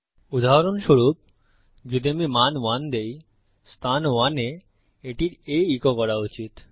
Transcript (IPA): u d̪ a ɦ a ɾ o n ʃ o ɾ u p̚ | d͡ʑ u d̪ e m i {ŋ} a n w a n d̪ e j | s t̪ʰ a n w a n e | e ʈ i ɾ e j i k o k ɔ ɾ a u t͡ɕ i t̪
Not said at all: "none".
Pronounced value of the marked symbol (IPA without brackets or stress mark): m